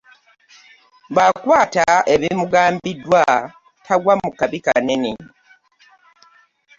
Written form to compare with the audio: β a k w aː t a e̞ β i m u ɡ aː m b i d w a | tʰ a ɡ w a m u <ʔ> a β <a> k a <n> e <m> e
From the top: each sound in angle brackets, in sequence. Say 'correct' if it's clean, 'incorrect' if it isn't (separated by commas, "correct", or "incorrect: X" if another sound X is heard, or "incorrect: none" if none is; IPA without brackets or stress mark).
incorrect: k, incorrect: i, correct, incorrect: n